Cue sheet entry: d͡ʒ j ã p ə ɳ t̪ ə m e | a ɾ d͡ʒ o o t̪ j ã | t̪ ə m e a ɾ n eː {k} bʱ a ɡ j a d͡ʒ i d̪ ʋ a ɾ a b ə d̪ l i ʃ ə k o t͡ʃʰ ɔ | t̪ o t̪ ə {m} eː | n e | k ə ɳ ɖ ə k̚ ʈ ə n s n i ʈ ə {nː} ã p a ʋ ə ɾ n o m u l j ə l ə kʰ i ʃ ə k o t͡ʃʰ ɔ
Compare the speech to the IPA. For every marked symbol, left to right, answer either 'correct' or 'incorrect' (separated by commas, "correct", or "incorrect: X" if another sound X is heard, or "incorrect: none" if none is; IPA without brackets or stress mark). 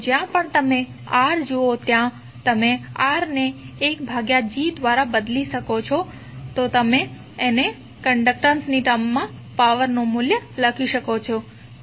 correct, correct, incorrect: mː